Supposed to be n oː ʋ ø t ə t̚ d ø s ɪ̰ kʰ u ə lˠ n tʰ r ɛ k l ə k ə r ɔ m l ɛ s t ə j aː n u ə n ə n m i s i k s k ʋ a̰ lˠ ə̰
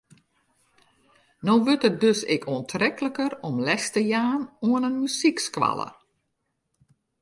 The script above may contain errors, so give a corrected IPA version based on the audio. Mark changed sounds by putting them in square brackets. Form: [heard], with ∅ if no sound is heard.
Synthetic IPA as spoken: n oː ʋ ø t ə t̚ d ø s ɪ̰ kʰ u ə [∅] n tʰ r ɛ k l ə k ə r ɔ m l ɛ s t ə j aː n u ə n ə n m [y] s i k s k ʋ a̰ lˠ ə̰